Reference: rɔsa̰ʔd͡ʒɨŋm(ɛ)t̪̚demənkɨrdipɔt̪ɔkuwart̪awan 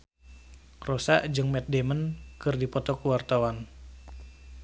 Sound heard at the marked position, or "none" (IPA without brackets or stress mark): ɛ